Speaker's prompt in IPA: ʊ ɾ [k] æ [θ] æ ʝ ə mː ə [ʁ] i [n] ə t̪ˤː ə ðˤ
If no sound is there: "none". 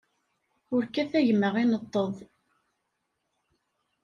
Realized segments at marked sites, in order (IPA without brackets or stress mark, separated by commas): k, θ, ʁ, n